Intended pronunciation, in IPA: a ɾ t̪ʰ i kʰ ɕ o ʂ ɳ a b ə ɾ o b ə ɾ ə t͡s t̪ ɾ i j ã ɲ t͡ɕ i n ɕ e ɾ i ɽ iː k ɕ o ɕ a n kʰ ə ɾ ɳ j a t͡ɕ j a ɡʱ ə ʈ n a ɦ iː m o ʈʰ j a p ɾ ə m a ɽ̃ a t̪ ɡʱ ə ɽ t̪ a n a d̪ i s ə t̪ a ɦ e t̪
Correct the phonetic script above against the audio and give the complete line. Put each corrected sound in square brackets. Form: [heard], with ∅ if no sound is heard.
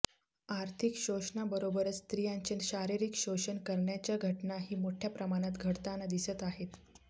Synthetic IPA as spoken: a ɾ t̪ʰ i [k] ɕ o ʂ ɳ a b ə ɾ o b ə ɾ ə t͡s t̪ ɾ i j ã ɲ t͡ɕ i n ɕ [a] ɾ i [ɾ] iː k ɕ o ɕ [ə] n [k] ə ɾ ɳ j a t͡ɕ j a ɡʱ ə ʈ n a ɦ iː m o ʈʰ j a p ɾ ə m a ɽ̃ a t̪ ɡʱ ə ɽ t̪ a n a d̪ i s ə t̪ a ɦ e t̪